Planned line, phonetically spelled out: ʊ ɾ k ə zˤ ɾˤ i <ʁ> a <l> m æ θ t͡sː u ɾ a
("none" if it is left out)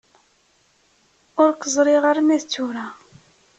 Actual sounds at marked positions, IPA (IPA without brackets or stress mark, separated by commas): ʁ, ɾ